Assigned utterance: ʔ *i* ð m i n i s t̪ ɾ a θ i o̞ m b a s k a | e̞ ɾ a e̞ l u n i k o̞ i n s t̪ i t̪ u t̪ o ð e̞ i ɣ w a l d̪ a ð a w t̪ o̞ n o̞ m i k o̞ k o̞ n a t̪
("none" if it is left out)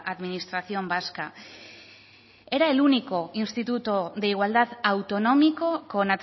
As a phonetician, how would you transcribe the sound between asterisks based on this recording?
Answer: a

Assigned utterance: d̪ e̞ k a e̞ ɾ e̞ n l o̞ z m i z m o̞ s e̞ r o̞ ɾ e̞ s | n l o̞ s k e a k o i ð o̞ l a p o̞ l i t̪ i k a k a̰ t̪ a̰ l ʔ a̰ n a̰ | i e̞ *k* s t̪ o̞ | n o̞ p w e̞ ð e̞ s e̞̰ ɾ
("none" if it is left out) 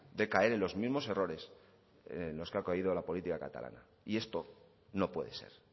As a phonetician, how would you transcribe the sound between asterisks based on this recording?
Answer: none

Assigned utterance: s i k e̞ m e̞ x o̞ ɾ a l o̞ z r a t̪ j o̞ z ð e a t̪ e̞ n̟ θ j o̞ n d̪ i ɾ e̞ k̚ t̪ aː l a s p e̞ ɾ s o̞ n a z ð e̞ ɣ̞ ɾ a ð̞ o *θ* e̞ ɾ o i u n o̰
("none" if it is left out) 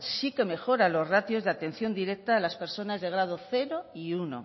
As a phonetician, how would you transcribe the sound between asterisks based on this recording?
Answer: θ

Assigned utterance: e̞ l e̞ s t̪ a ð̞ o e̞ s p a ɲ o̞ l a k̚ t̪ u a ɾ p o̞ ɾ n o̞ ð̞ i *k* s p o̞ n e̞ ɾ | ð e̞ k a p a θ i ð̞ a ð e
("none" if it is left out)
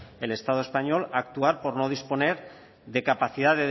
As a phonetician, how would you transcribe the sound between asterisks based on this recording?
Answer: none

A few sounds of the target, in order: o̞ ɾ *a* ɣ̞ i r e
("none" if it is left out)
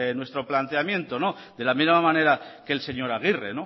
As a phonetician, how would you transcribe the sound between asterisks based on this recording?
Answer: a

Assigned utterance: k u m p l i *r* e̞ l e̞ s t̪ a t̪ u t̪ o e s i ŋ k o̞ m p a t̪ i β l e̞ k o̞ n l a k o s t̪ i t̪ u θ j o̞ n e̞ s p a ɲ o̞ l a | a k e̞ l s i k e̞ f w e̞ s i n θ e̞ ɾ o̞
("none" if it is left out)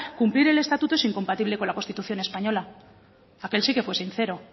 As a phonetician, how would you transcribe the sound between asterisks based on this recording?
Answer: ɾ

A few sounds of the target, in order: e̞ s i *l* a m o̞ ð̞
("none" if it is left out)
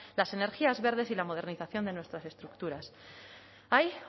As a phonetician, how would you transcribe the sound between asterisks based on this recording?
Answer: l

